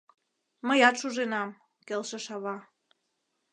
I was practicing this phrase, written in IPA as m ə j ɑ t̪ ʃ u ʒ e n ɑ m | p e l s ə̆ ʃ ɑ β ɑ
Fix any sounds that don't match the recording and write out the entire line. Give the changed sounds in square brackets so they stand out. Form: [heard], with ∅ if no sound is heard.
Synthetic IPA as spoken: m ə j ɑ t̪ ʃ u ʒ e n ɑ m | [k] e l [ʃ] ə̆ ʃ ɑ β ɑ